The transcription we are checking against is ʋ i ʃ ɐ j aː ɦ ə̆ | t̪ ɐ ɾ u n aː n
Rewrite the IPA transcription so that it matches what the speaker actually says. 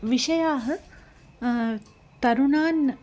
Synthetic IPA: ʋ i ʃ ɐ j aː ɦ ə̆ | t̪ ɐ ɾ u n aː n